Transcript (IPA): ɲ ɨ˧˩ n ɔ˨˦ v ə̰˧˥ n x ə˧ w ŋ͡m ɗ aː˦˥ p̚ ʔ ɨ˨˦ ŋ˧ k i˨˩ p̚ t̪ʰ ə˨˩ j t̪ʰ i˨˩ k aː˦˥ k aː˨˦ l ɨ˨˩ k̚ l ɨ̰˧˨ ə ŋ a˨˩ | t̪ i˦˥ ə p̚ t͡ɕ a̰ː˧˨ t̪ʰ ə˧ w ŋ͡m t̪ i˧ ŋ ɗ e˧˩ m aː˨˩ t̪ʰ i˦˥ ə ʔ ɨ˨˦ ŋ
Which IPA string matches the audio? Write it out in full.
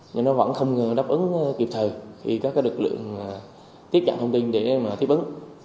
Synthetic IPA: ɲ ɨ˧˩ n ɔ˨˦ v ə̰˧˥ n x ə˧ w ŋ͡m ɗ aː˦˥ p̚ ʔ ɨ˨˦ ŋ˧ k i˨˩ p̚ t̪ʰ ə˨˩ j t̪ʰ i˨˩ k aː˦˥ k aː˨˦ l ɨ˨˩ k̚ l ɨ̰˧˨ ə ŋ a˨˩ | t̪ i˦˥ ə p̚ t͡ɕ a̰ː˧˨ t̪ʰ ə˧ w ŋ͡m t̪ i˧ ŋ ɗ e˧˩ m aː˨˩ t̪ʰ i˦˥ ə ʔ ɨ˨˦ ŋ

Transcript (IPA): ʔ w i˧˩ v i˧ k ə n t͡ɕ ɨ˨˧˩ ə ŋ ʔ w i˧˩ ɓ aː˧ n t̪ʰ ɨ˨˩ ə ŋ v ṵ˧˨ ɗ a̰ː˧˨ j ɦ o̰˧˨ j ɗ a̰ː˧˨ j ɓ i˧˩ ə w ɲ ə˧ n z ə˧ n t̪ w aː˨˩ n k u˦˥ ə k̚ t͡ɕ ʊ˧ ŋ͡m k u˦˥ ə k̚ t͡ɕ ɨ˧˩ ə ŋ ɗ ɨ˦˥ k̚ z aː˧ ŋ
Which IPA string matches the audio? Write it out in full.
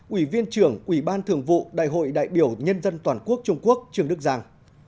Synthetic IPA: ʔ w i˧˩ v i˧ ə n t͡ɕ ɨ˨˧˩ ə ŋ ʔ w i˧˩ ɓ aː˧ n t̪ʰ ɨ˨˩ ə ŋ v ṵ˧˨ ɗ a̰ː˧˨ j ɦ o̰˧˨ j ɗ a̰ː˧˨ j ɓ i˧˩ ə w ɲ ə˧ n z ə˧ n t̪ w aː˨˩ n k u˦˥ ə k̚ t͡ɕ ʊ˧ ŋ͡m k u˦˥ ə k̚ t͡ɕ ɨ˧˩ ə ŋ ɗ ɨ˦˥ k̚ z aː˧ ŋ

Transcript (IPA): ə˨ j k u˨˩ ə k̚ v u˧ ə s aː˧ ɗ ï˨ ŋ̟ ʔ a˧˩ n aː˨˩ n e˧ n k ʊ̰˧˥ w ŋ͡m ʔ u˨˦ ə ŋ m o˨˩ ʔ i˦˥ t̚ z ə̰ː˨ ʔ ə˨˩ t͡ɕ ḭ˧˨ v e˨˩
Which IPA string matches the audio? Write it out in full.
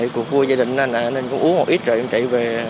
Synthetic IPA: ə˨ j k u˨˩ ə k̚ v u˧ ə z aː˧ ɗ ï˨ ŋ̟ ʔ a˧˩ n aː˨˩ n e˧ n k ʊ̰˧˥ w ŋ͡m ʔ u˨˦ ə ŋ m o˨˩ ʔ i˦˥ t̚ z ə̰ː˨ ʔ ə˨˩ t͡ɕ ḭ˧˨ v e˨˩

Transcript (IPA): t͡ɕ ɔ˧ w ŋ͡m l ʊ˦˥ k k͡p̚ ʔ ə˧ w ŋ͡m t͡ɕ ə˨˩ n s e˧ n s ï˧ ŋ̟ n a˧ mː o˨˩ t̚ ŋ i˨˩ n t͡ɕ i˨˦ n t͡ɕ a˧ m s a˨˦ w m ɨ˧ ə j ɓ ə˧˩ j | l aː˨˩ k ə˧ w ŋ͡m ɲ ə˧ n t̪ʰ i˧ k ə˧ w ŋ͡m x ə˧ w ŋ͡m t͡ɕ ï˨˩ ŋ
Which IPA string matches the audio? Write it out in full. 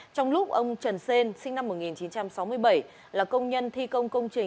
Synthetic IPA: t͡ɕ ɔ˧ w ŋ͡m l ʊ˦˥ k͡p̚ ʔ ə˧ w ŋ͡m t͡ɕ ə˨˩ n s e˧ n s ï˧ ŋ̟ n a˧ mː o˨˩ t̚ ŋ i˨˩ n t͡ɕ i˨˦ n t͡ɕ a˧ m s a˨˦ w m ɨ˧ ə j ɓ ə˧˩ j | l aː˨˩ k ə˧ w ŋ͡m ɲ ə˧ n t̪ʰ i˧ k ə˧ w ŋ͡m k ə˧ w ŋ͡m t͡ɕ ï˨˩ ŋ

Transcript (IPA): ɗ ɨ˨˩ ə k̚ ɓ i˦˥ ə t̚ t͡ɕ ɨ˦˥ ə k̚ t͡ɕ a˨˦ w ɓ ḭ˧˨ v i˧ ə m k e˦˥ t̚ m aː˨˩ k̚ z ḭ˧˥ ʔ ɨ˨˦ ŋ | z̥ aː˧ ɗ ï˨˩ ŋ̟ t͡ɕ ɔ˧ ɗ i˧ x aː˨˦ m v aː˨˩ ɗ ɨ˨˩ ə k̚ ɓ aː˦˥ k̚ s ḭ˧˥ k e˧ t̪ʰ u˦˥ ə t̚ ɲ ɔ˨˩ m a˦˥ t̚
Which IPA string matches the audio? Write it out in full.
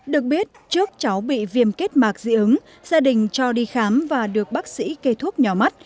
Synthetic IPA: ɗ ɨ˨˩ ə k̚ ɓ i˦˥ ə t̚ t͡ɕ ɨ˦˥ ə k̚ t͡ɕ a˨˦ w ɓ ḭ˧˨ v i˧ ə m k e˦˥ t̚ m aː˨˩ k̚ z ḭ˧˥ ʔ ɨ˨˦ ŋ | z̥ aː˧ ɗ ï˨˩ ŋ̟ t͡ɕ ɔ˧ ɗ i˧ x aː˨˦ m v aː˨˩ ɗ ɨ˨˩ ə k̚ ɓ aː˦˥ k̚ s ḭ˧˥ k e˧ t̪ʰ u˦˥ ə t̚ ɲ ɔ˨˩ m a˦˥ t̚

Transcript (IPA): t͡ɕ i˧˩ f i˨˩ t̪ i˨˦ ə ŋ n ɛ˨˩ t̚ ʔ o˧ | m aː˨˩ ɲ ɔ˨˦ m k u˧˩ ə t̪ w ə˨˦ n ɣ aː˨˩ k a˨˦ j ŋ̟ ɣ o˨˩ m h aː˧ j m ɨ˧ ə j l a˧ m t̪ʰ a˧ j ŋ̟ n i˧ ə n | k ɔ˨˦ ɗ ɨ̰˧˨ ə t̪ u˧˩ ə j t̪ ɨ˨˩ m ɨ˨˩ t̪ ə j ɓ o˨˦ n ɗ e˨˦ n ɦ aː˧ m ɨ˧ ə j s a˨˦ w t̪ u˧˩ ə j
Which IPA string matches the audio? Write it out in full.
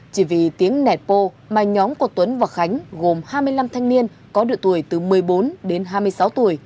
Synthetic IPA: t͡ɕ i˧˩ v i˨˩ t̪ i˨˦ ə ŋ n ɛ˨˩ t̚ p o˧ | m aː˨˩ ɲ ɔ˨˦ m k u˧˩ ə t̪ w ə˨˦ n v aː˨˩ x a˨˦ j ŋ̟ ɣ o˨˩ m h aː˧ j m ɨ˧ ə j l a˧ m t̪ʰ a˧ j ŋ̟ n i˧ ə n | k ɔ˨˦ ɗ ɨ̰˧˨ ə t̪ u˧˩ ə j t̪ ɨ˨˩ m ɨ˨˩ ə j ɓ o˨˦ n ɗ e˨˦ n ɦ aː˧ m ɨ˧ ə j s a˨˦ w t̪ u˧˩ ə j

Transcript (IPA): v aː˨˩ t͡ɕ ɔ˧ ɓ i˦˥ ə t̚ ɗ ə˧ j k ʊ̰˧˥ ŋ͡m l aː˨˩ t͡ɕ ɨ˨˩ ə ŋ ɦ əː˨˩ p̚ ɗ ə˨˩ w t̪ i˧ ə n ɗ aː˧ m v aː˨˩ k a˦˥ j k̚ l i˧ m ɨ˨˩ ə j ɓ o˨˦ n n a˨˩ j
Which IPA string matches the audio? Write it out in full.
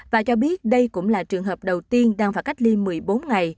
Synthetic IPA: v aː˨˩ t͡ɕ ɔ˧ ɓ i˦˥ ə t̚ ɗ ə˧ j k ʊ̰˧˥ ŋ͡m l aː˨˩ t͡ɕ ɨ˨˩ ə ŋ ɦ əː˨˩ p̚ ɗ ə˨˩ w t̪ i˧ ə n ɗ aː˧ ŋ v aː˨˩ k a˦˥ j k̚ l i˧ m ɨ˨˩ ə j ɓ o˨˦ n ŋ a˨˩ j

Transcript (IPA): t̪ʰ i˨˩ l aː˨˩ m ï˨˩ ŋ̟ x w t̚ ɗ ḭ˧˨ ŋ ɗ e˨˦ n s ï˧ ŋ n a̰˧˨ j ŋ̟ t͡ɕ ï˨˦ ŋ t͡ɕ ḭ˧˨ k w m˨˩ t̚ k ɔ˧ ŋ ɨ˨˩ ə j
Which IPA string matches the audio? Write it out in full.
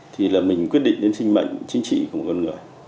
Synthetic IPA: t̪ʰ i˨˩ l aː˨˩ m ï˨˩ ŋ̟ k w t̚ ɗ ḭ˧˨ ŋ ɗ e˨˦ n s ï˧ ŋ m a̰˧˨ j ŋ̟ t͡ɕ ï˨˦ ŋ t͡ɕ ḭ˧˨ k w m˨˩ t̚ k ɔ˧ ŋ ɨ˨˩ ə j

